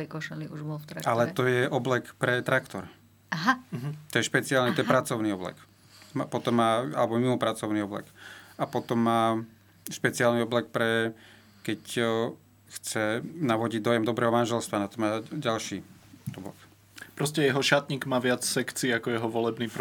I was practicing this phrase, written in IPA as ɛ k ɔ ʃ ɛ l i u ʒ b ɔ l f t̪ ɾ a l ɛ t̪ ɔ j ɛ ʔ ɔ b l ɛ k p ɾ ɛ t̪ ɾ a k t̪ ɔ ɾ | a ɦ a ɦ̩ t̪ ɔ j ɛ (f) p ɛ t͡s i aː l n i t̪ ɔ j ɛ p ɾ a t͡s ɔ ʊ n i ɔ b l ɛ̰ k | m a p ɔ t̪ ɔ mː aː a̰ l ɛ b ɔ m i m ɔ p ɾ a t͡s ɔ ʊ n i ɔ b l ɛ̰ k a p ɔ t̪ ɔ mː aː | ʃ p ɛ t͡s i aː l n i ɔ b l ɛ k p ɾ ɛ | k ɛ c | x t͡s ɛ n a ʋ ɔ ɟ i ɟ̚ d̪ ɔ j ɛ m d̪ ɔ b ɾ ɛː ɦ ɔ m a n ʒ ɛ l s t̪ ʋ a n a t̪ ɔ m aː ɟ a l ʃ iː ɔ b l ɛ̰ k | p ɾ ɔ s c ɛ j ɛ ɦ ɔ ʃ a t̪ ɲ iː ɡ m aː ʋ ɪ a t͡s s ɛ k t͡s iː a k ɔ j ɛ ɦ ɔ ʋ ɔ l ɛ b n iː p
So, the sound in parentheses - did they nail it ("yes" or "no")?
no